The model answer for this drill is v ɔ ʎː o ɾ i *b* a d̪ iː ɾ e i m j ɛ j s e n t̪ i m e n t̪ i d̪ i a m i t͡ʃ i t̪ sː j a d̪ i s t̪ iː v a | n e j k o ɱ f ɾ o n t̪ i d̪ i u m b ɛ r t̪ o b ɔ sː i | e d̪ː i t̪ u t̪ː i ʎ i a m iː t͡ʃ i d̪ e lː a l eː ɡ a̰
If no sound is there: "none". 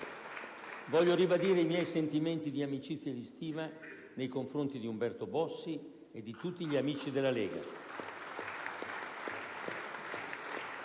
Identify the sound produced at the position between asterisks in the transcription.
b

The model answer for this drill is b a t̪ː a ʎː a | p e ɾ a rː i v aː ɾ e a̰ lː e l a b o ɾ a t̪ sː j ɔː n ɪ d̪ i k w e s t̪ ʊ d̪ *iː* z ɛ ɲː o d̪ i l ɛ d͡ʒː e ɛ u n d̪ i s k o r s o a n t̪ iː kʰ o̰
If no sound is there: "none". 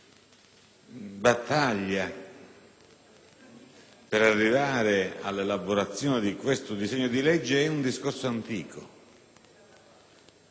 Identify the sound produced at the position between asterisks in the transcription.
i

